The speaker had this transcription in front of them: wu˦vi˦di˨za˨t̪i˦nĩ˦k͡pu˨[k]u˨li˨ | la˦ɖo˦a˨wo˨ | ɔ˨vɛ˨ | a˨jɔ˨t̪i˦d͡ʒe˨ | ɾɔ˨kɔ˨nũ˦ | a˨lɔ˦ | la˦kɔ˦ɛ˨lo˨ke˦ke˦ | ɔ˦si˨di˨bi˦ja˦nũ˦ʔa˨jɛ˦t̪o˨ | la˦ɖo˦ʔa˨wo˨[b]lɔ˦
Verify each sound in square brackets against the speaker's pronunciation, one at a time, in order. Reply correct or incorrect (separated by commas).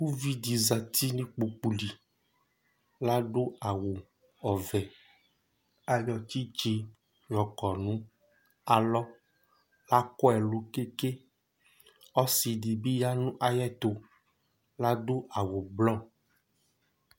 incorrect, correct